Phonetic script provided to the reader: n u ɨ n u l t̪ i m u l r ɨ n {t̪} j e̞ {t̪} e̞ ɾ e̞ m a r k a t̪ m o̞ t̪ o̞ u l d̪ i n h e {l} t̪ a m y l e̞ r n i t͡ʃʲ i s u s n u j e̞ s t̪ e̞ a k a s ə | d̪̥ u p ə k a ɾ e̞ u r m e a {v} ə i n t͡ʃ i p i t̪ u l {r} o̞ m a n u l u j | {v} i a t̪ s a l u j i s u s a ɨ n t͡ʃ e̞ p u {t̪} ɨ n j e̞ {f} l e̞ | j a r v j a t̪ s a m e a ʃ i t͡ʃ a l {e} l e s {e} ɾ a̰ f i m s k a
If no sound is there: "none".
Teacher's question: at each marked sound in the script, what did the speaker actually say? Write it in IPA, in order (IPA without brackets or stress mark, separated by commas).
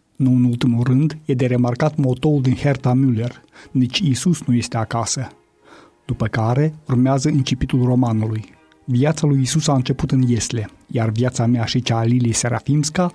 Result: d̪, d̪, r, z, r, v, t̪, s, i, e